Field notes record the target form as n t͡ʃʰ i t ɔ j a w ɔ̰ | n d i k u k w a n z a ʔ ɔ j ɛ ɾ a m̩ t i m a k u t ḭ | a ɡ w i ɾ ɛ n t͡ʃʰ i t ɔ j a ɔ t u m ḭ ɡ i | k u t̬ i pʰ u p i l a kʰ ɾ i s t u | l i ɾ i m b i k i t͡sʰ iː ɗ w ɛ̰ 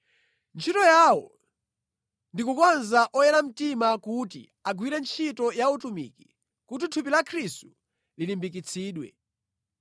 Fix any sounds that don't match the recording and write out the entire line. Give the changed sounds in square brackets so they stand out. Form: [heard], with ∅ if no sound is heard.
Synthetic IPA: n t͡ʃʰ i t ɔ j a w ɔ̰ | n d i k u k w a n z a ʔ ɔ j ɛ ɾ a m̩ t i m a k u t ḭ | a ɡ w i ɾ ɛ n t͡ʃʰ i t ɔ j a [u] t u m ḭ [k] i | k u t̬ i [tʰ] u p i l a kʰ ɾ i s t u | l i [l] i m b i k i t͡sʰ iː ɗ w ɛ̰